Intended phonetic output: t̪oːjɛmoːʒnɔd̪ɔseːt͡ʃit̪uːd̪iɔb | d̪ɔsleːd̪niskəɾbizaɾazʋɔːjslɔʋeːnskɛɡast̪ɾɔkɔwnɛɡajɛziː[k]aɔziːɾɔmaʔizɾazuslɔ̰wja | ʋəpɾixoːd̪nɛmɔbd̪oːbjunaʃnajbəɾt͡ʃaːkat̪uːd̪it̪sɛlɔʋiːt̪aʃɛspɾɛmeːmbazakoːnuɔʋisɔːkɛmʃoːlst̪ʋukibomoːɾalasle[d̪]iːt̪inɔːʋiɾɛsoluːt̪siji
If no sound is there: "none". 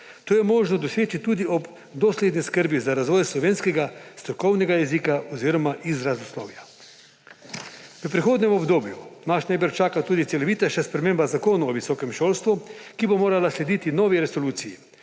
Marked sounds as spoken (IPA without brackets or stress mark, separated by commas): k, d̪